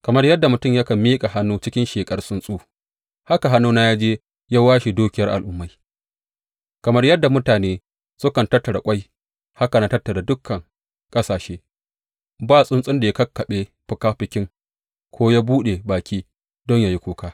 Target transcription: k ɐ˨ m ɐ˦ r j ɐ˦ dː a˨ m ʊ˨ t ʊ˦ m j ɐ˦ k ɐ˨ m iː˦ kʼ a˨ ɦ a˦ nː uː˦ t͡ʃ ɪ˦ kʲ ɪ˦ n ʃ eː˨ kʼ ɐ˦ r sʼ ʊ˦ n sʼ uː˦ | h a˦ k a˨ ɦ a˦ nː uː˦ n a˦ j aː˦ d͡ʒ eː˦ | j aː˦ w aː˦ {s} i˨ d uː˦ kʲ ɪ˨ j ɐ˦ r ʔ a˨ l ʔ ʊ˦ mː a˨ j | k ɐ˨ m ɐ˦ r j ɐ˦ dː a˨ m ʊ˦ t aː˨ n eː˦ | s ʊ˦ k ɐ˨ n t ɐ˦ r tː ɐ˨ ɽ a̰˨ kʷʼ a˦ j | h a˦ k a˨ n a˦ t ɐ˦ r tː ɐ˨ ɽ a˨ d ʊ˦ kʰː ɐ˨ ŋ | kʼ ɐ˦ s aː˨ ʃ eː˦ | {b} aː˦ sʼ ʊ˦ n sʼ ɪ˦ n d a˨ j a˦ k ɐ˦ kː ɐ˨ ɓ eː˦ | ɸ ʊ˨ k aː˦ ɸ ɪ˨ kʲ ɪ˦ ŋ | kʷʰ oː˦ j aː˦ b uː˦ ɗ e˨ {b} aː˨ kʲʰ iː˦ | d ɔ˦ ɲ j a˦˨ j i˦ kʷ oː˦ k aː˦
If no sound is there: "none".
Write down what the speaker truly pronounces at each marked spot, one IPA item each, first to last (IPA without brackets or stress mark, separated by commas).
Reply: ʃ, b, b